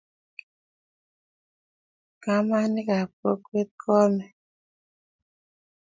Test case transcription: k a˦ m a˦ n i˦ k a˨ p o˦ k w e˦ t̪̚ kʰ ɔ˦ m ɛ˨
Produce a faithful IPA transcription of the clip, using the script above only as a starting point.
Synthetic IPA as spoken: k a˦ m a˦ n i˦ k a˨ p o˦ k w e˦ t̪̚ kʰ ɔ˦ m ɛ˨

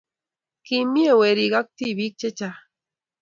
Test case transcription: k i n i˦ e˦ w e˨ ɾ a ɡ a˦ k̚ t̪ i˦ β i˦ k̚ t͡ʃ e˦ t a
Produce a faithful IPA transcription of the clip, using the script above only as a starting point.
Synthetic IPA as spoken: k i m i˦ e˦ w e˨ ɾ i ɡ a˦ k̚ t̪ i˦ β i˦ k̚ t͡ʃ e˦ t͡ʃ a

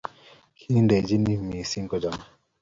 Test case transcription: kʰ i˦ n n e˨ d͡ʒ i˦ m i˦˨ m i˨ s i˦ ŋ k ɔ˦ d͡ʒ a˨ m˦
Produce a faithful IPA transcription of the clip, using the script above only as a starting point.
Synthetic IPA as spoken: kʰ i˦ n d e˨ d͡ʒ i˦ n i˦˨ m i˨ s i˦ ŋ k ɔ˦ d͡ʒ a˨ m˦

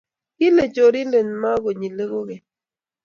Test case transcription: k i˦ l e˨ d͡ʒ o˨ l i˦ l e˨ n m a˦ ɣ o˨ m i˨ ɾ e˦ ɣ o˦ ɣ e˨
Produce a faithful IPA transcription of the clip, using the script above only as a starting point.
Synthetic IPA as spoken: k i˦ l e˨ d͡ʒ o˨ ɾ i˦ l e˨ n m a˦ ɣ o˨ ɲ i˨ l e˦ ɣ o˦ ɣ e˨

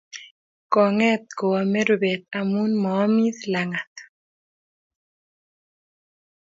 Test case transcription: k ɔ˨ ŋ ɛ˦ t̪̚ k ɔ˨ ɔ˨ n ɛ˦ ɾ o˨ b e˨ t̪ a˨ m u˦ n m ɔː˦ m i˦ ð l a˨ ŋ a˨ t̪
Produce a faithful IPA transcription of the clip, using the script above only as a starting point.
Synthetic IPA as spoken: k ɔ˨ ŋ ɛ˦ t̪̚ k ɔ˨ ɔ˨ m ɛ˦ ɾ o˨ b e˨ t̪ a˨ m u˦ n m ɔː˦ m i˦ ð l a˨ ŋ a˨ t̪

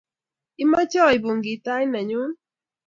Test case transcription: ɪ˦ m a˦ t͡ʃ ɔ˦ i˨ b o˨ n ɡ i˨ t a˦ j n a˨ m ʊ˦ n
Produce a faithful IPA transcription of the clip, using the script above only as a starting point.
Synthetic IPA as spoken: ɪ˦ m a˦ t͡ʃ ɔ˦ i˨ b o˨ ŋ ɡ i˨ t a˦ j n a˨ ɲ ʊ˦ n

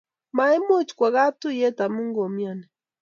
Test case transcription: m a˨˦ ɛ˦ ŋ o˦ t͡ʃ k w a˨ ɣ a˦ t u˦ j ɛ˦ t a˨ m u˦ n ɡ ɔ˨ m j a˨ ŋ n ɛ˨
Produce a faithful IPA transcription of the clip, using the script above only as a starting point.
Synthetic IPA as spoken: m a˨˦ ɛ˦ m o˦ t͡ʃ k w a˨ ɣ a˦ t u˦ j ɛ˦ t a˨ m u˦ ŋ ɡ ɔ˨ m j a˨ n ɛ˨

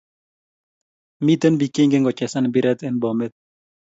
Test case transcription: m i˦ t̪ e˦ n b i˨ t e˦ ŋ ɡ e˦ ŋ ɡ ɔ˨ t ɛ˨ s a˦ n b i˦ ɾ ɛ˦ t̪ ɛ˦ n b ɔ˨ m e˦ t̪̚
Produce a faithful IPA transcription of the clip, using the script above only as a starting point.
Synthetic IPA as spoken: m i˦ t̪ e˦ n b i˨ k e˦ ŋ ɡ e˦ ŋ ɡ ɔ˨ t͡ʃ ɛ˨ s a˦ n b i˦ ɾ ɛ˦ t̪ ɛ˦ n b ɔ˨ m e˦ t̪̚

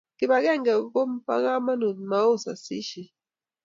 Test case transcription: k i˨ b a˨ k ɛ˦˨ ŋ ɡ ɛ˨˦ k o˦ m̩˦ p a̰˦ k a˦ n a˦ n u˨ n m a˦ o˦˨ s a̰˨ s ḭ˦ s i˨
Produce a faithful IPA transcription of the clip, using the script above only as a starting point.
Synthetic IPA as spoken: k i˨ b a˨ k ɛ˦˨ ŋ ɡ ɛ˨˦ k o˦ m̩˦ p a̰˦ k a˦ m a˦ n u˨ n m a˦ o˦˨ s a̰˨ s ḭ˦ ʃ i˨

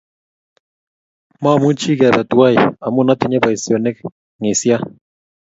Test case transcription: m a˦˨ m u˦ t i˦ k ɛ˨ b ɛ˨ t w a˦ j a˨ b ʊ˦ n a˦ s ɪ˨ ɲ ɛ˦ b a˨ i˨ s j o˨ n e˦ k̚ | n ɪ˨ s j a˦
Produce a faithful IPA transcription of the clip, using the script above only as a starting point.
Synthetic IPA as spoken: m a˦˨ m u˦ t͡ʃ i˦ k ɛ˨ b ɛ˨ t w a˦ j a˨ m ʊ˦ n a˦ t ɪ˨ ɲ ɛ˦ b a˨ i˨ s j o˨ n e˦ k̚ | ŋ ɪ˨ s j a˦

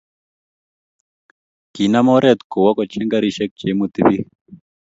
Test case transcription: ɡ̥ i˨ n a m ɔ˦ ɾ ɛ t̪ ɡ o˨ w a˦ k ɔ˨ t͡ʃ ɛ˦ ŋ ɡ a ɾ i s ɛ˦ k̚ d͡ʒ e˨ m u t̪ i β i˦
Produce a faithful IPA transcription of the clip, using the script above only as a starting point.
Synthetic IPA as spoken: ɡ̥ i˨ n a m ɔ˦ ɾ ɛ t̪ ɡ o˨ w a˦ k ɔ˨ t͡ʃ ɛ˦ ŋ ɡ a ɾ i ʃ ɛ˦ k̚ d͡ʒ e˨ m u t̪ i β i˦

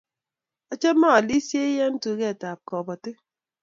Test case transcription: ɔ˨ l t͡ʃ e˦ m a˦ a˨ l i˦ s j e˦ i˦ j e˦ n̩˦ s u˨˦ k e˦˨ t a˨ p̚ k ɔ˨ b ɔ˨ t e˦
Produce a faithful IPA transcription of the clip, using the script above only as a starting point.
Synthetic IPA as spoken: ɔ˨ t͡ʃ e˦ m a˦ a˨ l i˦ s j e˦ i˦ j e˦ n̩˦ t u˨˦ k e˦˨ t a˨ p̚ k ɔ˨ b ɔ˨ t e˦

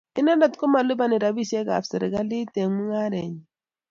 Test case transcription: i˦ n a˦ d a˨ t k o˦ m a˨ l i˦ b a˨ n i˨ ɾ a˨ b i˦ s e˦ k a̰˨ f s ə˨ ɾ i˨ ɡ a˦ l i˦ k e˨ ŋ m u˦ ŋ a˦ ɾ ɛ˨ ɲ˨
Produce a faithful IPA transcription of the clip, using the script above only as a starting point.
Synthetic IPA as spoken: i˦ n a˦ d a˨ t k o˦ m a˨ l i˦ b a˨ n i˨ ɾ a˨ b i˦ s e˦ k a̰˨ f s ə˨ ɾ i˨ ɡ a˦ l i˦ t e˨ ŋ m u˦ ŋ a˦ ɾ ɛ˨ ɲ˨

